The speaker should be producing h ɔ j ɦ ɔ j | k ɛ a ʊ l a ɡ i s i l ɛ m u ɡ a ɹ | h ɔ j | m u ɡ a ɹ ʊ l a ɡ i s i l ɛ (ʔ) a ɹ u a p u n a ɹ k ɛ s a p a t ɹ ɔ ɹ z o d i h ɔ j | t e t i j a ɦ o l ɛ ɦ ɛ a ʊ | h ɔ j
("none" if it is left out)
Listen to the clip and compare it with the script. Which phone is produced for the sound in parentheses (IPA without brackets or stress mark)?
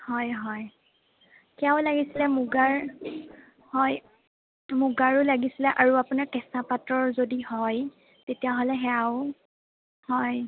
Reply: ʔ